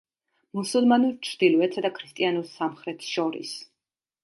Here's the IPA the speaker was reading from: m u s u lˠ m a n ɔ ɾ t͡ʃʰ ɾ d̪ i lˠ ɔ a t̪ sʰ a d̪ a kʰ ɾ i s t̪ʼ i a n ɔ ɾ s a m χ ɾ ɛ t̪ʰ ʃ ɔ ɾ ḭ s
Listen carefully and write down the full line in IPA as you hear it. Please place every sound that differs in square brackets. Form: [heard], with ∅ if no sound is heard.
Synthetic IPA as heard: m u s u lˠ m a n [u] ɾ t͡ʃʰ ɾ d̪ i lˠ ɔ [ɛ] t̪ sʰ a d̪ a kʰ ɾ i s t̪ʼ i a n [u] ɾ s a m χ ɾ ɛ t̪ʰ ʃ ɔ ɾ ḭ s